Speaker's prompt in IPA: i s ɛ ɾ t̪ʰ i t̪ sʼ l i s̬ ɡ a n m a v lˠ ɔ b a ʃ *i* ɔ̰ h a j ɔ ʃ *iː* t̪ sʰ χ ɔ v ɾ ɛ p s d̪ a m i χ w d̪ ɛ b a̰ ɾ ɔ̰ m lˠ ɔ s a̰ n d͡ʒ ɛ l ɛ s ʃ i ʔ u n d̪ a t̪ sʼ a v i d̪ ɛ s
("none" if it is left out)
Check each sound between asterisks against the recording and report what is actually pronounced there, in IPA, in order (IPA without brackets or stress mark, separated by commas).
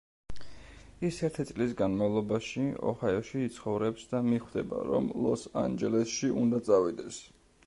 i, iː